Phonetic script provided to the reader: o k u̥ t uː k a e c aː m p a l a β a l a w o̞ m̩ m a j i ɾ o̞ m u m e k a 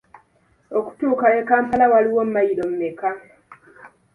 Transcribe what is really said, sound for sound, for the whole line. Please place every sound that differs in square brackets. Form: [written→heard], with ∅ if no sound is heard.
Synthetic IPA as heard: o k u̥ t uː k a e [c→k] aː m p a l a [β→w] a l [a→i] w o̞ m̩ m a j i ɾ o̞ m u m e k a